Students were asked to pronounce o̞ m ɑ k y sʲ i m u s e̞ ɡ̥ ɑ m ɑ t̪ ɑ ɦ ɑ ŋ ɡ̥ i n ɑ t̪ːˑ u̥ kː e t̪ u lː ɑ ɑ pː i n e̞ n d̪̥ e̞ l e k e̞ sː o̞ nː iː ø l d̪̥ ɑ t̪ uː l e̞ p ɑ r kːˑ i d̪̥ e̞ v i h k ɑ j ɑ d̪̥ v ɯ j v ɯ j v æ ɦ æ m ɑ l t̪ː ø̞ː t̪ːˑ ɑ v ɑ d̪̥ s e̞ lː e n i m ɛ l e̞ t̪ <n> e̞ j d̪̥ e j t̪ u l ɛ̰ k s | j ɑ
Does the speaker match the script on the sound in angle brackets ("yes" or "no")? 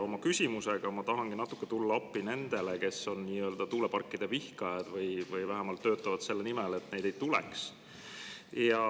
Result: yes